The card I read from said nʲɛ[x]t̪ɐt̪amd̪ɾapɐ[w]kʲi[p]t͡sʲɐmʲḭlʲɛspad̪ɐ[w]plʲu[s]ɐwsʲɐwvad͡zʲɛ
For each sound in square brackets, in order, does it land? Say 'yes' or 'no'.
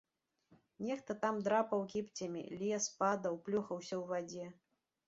yes, yes, yes, yes, no

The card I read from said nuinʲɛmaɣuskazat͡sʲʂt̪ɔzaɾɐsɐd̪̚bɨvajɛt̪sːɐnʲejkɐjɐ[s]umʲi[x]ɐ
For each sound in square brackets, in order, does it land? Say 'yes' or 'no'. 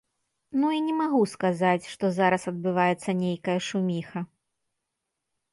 no, yes

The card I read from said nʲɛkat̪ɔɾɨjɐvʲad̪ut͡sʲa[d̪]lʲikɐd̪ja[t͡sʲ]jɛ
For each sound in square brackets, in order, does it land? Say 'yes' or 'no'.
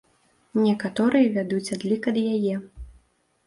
yes, no

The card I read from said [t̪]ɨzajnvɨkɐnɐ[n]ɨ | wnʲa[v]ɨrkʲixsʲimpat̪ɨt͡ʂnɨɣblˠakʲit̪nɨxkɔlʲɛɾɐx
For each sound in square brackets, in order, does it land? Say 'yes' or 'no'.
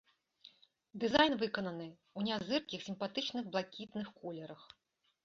no, yes, no

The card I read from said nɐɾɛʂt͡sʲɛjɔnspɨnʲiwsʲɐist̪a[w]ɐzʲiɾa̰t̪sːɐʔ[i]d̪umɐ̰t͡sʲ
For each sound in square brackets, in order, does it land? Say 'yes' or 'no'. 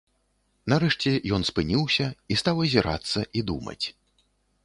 yes, yes

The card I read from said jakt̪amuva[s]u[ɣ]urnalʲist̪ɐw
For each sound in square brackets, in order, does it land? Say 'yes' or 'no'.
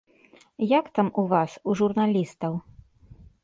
yes, no

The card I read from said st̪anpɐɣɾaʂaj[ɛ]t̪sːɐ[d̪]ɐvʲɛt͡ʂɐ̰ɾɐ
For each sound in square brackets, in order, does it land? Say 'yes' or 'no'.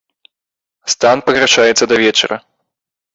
yes, yes

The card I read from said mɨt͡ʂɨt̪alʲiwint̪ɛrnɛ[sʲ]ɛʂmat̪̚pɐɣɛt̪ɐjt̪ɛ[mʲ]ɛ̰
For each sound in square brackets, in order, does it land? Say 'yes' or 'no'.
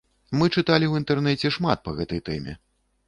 no, yes

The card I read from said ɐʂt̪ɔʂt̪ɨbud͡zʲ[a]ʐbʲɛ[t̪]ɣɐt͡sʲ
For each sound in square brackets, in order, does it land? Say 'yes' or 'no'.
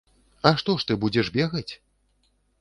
no, no

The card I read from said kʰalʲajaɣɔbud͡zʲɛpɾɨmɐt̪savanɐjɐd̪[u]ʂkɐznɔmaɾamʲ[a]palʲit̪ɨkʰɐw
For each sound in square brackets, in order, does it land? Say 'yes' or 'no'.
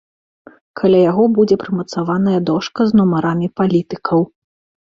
no, no

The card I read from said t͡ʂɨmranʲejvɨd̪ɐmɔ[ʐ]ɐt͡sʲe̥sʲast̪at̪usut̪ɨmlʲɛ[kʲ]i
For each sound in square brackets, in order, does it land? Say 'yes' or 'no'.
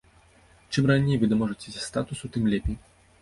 yes, no

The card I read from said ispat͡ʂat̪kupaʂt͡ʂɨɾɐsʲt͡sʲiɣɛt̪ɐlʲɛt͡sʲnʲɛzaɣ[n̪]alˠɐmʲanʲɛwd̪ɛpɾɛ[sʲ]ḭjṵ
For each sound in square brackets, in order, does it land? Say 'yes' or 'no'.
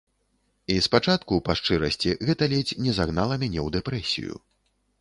yes, yes

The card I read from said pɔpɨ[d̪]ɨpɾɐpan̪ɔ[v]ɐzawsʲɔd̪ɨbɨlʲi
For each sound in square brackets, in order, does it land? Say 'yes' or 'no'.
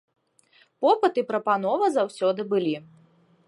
no, yes

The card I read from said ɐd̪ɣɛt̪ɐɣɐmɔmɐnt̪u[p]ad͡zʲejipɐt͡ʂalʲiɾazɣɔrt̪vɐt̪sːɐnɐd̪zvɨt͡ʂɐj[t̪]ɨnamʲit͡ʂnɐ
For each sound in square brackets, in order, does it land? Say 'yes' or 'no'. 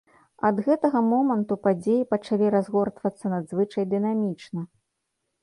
yes, no

